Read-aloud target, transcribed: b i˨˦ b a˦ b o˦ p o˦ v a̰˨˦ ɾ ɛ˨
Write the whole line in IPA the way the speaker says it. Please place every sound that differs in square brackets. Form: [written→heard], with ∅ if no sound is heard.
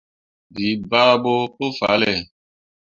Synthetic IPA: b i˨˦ b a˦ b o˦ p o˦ [v→f] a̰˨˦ [ɾ→l] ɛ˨

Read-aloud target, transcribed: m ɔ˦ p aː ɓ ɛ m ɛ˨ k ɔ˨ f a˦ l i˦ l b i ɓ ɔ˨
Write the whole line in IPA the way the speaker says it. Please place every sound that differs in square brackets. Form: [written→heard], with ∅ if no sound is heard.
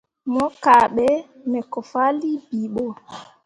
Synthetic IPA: m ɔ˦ [p→k] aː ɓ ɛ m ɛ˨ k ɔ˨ f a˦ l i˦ [l→∅] b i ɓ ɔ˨

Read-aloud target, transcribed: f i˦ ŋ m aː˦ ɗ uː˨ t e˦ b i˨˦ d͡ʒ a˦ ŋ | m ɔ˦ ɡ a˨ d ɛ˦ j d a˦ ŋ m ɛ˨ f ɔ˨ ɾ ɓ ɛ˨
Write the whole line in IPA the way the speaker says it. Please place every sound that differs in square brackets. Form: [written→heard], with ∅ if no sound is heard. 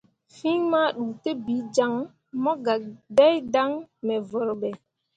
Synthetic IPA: f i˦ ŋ m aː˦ ɗ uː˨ t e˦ b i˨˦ d͡ʒ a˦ ŋ | m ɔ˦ ɡ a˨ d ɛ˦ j d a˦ ŋ m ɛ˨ [f→v] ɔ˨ ɾ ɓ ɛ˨

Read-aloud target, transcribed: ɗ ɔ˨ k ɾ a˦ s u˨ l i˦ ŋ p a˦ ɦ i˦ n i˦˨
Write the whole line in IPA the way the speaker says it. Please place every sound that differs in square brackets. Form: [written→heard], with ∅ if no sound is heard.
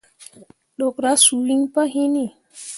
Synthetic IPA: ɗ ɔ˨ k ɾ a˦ s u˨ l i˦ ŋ p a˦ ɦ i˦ n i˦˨

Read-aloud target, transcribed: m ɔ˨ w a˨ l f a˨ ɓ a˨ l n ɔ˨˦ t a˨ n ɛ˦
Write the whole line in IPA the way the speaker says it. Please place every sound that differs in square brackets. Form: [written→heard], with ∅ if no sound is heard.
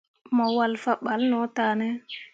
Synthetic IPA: m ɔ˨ w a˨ l f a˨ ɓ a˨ l n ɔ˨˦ t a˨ n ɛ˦

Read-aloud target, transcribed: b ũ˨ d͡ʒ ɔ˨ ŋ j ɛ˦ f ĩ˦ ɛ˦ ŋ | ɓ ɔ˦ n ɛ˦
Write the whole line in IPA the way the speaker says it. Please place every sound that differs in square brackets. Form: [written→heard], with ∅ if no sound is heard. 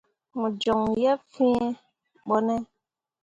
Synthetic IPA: [b→m] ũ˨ d͡ʒ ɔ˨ ŋ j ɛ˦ f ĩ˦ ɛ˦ [ŋ→∅] | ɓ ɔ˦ n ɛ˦

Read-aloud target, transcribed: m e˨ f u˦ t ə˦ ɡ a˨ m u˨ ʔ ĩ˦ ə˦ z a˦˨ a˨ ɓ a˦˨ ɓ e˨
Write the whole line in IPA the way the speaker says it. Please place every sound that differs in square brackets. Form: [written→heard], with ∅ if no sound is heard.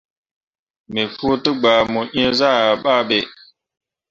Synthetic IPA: m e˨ f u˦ t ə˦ [ɡ→ɡ͡b] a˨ m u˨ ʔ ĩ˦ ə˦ z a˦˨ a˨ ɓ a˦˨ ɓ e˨

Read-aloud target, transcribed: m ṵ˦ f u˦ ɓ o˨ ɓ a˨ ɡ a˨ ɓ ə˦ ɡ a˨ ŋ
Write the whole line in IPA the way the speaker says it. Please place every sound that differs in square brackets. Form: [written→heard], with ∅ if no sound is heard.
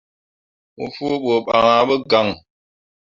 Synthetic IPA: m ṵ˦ f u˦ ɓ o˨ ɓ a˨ [ɡ→ŋ] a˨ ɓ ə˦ ɡ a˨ ŋ

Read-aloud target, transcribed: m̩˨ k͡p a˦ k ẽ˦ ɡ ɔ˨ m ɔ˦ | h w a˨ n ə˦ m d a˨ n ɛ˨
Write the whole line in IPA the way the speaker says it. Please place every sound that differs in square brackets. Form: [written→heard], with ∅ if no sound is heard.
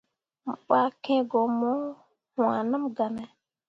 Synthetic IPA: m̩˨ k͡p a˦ k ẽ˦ ɡ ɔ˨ m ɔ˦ | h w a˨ n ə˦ m [d→ɡ] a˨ n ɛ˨

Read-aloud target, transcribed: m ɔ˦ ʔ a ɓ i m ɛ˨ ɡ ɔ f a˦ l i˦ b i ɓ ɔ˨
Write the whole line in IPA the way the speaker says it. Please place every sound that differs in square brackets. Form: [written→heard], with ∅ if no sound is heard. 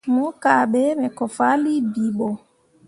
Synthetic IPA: m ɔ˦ [ʔ→k] a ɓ [i→ɛ] m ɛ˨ [ɡ→k] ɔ f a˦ l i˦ b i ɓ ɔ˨

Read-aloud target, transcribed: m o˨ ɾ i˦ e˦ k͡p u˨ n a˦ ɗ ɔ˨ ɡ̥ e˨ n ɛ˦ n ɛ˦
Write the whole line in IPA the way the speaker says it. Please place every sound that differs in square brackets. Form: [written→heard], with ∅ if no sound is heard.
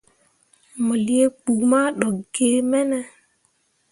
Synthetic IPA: m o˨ [ɾ→l] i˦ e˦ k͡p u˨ [n→m] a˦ ɗ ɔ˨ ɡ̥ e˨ [n→m] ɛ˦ n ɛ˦

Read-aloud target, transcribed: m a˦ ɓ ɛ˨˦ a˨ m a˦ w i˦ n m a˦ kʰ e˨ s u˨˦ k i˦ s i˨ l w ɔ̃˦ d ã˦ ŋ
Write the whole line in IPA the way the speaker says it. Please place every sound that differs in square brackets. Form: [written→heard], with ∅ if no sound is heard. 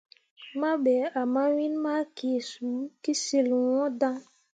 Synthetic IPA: m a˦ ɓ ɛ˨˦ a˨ m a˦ w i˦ n m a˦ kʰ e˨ s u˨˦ k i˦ s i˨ l w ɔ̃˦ d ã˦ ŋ

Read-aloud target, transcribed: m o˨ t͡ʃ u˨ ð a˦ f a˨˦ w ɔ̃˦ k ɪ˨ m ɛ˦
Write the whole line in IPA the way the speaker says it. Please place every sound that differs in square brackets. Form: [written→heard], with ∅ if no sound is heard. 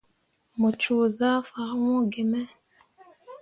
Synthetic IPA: m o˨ t͡ʃ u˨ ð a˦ f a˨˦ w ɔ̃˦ [k→ɡ] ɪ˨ m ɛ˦

